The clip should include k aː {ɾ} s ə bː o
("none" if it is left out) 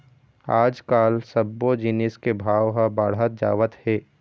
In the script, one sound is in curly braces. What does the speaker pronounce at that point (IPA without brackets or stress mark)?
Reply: l